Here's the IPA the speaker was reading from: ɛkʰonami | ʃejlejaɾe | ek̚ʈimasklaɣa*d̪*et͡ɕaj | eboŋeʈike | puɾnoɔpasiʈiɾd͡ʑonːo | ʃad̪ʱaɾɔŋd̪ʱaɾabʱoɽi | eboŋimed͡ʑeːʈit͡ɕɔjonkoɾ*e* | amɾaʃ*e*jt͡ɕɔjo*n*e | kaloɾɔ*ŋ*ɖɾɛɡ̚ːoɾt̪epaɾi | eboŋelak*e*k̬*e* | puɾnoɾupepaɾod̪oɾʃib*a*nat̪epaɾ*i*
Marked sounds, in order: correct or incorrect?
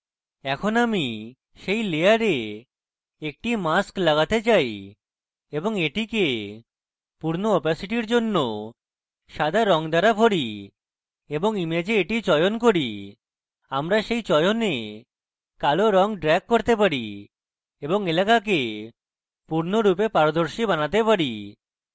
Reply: incorrect, incorrect, correct, correct, correct, incorrect, correct, correct, correct

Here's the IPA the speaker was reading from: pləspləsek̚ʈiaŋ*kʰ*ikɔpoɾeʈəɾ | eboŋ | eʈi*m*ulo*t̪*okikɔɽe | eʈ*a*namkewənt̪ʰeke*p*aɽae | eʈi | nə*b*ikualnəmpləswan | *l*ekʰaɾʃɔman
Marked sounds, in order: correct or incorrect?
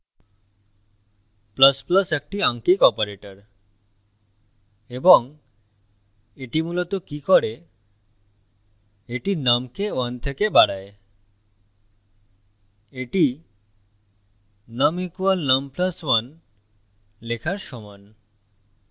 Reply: incorrect, correct, correct, incorrect, incorrect, incorrect, correct

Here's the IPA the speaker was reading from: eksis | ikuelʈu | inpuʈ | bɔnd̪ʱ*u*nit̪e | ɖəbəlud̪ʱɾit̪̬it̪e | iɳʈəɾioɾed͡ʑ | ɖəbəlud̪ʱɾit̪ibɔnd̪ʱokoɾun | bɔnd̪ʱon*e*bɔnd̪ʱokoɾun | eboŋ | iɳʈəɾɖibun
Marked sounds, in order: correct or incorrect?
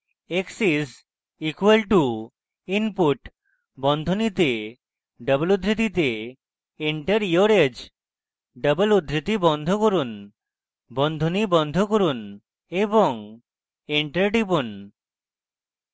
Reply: incorrect, incorrect

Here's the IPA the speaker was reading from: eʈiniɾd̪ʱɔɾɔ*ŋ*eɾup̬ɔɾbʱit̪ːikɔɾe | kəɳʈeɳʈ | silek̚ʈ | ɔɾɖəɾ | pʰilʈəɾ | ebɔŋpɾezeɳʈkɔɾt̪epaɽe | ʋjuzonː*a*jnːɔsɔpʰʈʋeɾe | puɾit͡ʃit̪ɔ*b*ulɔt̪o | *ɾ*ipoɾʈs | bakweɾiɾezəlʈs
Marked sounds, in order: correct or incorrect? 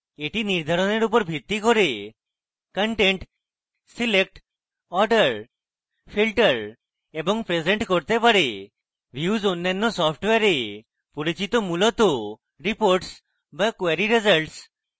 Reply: incorrect, correct, incorrect, correct

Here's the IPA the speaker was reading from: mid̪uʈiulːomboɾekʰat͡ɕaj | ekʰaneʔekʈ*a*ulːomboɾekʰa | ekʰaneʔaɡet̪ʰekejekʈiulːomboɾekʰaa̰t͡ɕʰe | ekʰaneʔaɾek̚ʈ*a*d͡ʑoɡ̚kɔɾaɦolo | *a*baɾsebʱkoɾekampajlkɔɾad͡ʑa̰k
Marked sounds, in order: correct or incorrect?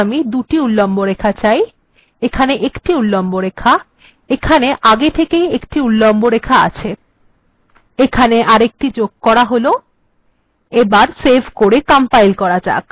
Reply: incorrect, incorrect, incorrect

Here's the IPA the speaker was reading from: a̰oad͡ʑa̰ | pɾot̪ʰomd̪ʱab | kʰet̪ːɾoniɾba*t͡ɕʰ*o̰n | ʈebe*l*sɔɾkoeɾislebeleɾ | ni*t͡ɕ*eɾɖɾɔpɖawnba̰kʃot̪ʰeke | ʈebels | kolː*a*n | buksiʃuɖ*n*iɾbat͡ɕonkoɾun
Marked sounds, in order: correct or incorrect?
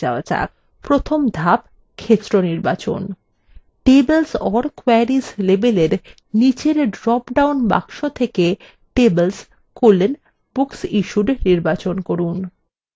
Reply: incorrect, correct, correct, incorrect, correct

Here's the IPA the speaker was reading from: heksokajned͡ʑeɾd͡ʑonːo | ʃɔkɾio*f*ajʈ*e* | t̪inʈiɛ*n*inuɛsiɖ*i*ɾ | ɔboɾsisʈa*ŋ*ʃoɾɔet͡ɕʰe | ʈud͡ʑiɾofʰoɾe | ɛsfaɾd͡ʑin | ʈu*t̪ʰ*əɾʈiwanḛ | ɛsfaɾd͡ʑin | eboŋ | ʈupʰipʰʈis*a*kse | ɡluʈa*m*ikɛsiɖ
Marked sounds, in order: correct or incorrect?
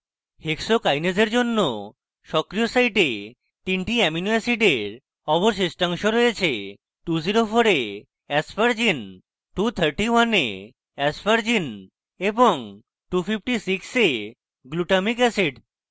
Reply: incorrect, correct, incorrect, incorrect, correct, correct, incorrect, correct

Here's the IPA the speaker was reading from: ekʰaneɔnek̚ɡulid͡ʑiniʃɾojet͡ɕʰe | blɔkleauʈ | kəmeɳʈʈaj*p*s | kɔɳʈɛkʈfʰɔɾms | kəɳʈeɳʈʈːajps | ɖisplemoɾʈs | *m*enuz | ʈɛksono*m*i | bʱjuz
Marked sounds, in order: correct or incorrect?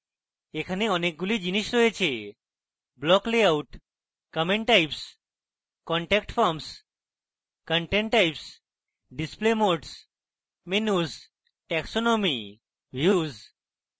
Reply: correct, correct, correct

